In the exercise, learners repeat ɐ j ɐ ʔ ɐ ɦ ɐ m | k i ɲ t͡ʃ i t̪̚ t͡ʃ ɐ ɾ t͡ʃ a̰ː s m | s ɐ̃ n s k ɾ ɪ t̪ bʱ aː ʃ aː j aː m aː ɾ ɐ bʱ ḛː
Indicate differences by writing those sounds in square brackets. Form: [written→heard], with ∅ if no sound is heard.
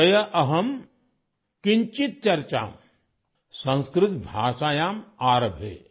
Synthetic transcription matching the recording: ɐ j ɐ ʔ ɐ ɦ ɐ m | k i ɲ t͡ʃ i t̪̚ t͡ʃ ɐ ɾ t͡ʃ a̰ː [s→∅] m | s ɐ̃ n s k ɾ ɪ t̪ bʱ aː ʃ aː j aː m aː ɾ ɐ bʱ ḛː